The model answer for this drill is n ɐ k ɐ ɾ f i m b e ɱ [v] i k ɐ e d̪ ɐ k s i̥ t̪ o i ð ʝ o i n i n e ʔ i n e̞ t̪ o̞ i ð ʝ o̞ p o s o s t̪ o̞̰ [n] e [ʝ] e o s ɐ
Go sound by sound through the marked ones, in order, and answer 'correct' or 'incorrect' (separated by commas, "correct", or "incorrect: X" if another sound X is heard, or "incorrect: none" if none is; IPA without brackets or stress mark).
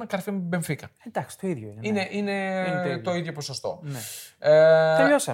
incorrect: f, correct, incorrect: none